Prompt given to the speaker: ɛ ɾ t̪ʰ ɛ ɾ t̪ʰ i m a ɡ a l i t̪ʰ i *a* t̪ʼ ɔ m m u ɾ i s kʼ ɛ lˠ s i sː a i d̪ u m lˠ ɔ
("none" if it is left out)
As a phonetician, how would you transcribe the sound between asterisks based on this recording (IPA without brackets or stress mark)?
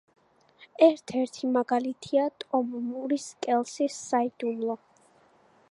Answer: a